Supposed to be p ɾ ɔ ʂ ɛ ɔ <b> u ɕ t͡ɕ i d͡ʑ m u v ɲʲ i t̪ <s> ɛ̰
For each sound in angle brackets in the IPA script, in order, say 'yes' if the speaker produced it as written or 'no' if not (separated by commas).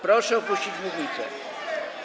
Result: no, yes